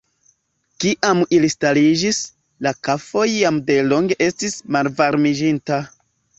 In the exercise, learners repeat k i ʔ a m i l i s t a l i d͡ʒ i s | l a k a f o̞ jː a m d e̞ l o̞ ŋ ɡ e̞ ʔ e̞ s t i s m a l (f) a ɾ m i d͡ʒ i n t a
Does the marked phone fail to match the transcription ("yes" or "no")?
yes